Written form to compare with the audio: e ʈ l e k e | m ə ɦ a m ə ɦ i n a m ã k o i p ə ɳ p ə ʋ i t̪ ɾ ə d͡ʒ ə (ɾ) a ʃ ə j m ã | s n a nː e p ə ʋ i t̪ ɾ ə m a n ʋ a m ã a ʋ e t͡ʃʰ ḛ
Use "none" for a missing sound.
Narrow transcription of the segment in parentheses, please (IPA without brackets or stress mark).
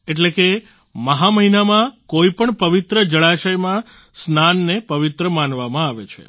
ɭ